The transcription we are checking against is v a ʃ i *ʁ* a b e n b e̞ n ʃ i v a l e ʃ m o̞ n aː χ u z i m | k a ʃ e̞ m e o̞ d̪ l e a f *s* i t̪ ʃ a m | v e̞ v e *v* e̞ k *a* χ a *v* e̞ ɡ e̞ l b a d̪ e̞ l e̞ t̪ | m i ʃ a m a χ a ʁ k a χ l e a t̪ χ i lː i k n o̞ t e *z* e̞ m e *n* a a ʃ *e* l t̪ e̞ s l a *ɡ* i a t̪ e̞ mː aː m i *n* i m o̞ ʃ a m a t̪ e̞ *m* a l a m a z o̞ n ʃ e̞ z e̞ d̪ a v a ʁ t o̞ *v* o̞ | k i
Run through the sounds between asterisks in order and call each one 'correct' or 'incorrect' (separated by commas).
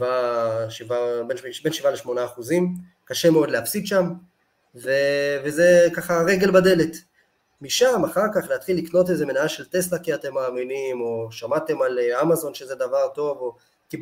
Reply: incorrect, correct, incorrect, correct, incorrect, correct, correct, correct, incorrect, correct, correct, correct